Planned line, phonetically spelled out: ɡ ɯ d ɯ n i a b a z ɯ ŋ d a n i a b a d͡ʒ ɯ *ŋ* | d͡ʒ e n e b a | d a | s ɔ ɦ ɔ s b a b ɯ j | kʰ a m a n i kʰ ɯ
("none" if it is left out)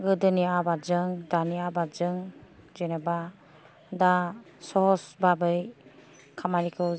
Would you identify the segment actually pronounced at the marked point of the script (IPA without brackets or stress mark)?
ŋ